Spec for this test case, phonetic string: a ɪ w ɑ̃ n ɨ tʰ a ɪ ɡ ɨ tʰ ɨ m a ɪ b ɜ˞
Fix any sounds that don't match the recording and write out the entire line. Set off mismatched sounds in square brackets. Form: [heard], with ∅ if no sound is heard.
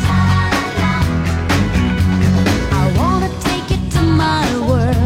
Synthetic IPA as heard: a ɪ w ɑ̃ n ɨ tʰ [e] ɪ [k] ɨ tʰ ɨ m a ɪ [w] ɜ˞